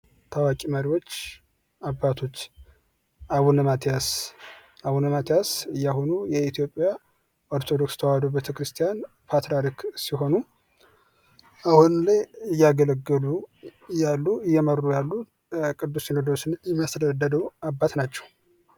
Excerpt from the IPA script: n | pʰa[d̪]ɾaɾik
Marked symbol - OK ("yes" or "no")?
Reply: no